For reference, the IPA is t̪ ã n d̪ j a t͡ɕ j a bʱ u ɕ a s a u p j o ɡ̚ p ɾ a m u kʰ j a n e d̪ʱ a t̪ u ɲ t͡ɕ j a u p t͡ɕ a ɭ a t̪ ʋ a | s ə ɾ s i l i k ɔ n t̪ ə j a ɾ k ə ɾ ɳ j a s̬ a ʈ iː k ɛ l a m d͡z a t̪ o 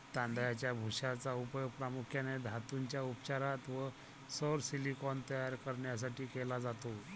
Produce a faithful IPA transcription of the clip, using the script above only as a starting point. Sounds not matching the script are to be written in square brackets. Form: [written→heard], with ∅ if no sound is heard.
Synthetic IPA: t̪ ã n d̪ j a t͡ɕ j a bʱ u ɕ a [s→t͡s] a u p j o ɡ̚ p ɾ a m u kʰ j a n e d̪ʱ a t̪ u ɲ t͡ɕ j a u p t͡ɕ a [ɭ→ɾ] a t̪ ʋ [a→ə] | s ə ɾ s i l i k ɔ n t̪ ə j a ɾ k ə ɾ ɳ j a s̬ a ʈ iː k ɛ l a [m→∅] d͡z a t̪ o

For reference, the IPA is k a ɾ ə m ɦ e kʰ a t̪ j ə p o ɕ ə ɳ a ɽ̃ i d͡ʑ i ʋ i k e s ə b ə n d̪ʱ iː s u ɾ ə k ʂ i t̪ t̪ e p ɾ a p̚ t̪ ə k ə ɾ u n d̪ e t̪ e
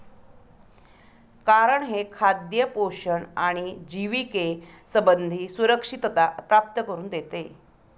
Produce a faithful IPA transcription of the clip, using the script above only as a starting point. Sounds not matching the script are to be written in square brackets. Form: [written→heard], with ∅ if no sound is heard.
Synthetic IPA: k a ɾ ə [m→ɳ] ɦ e kʰ a [t̪→d̪] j ə p o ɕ ə ɳ a ɽ̃ i d͡ʑ i ʋ i k e s ə b ə n d̪ʱ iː s u ɾ ə k ʂ i t̪ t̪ [e→a] p ɾ a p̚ t̪ ə k ə ɾ [u→uː] n d̪ e t̪ e

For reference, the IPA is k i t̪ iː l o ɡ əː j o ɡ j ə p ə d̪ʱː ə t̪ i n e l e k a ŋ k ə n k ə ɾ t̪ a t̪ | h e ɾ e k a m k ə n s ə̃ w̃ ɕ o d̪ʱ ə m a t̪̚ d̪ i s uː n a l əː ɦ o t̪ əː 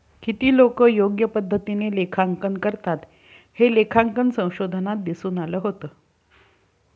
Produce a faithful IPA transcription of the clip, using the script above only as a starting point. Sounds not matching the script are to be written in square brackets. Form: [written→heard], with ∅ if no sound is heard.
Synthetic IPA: k i t̪ iː l o [ɡ→k] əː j o ɡ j ə p ə d̪ʱː ə t̪ i n e l e [k→kʰ] a ŋ k ə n k ə ɾ t̪ a t̪ | h e [ɾ→l] e [k→kʰ] a [m→ŋ] k ə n s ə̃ w̃ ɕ o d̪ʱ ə [m→n] a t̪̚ d̪ i s uː n a l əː ɦ o t̪ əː

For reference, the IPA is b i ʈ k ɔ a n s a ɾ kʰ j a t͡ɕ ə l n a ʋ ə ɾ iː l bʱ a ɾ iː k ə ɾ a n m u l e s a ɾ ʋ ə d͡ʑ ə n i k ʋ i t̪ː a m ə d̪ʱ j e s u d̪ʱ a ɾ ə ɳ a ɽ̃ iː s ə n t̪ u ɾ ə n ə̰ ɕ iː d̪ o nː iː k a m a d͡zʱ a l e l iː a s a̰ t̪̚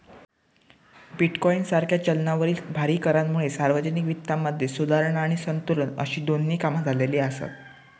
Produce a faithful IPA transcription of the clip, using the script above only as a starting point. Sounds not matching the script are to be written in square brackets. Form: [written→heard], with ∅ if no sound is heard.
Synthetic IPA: b i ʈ k ɔ [a→i] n s a ɾ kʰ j a t͡ɕ ə l n a ʋ ə ɾ iː l bʱ a ɾ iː k ə ɾ a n m u [l→ɭ] e s a ɾ ʋ ə d͡ʑ ə n i k ʋ i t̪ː a m ə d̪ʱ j e s u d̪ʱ a ɾ ə ɳ a ɽ̃ [iː→i] s ə n t̪ u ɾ ə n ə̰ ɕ iː d̪ o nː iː k a m a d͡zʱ a l e l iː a s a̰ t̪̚

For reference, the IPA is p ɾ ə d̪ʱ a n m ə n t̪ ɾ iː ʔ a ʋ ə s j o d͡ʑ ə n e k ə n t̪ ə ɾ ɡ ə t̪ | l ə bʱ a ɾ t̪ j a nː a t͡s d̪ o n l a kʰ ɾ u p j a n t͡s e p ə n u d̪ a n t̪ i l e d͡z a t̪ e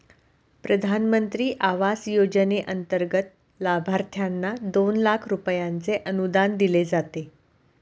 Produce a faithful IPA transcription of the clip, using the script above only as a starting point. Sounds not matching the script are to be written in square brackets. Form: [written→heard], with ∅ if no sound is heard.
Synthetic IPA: p ɾ ə d̪ʱ a n m ə n t̪ ɾ iː ʔ a ʋ [ə→a] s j o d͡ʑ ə n e [k→ʔ] ə n t̪ ə ɾ ɡ ə t̪ | l [ə→a] bʱ a ɾ [t̪→t̪ʰ] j a nː a [t͡s→∅] d̪ o n l a kʰ ɾ u p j a n t͡s e [p→ʔ] ə n u d̪ a n [t̪→d̪] i l e d͡z a t̪ e

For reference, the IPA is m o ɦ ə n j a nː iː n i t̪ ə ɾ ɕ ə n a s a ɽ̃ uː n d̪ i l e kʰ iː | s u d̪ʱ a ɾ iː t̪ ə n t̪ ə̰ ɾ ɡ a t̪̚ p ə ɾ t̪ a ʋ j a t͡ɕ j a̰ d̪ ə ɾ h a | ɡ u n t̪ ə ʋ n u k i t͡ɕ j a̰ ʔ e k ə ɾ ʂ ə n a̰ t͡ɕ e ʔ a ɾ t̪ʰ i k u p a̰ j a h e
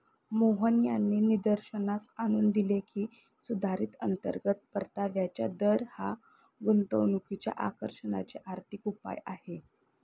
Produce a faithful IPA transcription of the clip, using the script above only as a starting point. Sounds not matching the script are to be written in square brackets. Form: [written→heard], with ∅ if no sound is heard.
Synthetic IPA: m o ɦ ə n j a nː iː n i [t̪→d̪] ə ɾ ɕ ə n a s a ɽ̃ uː n d̪ i l e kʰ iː | s u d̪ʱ a ɾ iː t̪ ə n t̪ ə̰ ɾ ɡ [a→ə] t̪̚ p ə ɾ t̪ a ʋ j a t͡ɕ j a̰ d̪ ə ɾ h a | ɡ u n t̪ ə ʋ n u k i t͡ɕ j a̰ ʔ [e→a] k ə ɾ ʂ ə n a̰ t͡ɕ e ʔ a ɾ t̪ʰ i k u p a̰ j a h e

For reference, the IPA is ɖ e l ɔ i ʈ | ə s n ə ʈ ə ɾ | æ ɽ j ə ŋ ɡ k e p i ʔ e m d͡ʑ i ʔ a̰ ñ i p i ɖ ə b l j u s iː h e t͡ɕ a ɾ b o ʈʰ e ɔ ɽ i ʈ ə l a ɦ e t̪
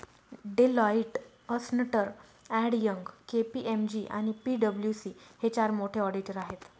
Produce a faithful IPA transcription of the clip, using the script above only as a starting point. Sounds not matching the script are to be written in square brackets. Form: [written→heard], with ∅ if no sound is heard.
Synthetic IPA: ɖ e l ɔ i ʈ | ə s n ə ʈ ə ɾ | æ ɽ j ə ŋ ɡ k e p i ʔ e m d͡ʑ i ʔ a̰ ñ i p i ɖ ə b l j u s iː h e t͡ɕ a ɾ [b→m] o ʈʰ e ɔ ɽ i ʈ ə [l→ɾ] a ɦ e t̪

